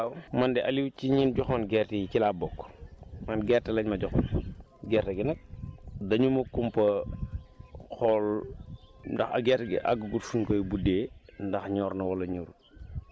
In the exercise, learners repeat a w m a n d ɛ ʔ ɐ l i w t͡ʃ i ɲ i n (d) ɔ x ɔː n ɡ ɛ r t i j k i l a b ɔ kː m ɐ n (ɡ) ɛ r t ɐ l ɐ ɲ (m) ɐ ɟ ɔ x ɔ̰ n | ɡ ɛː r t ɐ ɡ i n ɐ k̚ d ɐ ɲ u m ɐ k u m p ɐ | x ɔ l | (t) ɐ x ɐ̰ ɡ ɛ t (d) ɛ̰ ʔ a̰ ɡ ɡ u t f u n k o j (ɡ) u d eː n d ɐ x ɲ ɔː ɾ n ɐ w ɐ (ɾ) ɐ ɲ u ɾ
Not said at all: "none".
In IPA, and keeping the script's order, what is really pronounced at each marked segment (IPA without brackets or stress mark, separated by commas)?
ɟ, ɡ, m, d, ɡ, b, l